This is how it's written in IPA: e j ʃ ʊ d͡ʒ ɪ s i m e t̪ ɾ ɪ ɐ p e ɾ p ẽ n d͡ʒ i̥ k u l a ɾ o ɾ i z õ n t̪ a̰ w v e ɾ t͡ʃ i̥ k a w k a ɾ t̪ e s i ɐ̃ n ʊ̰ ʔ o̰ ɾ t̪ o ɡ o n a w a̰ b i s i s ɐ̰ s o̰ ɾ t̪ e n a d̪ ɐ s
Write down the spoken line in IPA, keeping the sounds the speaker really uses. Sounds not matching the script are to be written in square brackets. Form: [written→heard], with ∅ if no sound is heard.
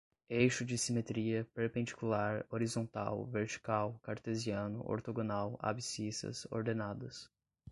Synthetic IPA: e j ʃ ʊ d͡ʒ ɪ s i m e t̪ ɾ [ɪ→i] ɐ p e ɾ p ẽ n d͡ʒ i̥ k u l a ɾ o ɾ i z õ n t̪ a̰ w v e ɾ t͡ʃ i̥ k a w k a ɾ t̪ e [s→z] i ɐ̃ n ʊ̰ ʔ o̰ ɾ t̪ o ɡ o n a w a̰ b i s i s ɐ̰ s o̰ ɾ [t̪→d̪] e n a d̪ ɐ s